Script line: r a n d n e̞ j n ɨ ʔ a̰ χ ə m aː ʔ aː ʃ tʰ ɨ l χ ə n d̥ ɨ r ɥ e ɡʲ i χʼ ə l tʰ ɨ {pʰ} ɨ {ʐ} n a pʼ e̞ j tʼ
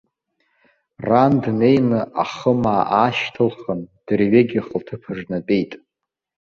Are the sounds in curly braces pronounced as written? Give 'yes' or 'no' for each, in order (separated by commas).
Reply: yes, yes